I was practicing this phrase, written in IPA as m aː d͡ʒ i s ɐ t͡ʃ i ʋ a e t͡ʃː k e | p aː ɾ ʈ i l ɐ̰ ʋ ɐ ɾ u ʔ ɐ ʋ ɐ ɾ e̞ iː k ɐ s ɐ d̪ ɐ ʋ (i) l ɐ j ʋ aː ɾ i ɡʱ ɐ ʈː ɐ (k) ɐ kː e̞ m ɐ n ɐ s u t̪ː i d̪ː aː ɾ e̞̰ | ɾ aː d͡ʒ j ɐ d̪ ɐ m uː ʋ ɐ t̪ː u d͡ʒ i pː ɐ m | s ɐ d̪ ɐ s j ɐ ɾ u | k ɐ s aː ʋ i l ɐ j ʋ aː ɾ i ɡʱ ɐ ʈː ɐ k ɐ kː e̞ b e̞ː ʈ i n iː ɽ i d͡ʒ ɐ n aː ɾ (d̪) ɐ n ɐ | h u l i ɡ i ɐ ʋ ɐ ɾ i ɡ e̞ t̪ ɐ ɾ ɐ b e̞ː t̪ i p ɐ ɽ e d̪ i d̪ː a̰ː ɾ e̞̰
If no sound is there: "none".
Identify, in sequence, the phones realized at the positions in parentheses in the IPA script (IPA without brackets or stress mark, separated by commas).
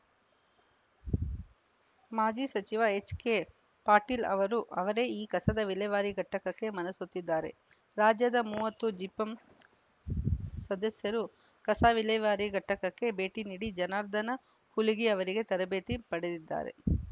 i, k, d̪